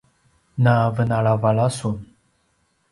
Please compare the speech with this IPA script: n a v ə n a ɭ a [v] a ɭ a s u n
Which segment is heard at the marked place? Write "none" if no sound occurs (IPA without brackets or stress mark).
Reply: v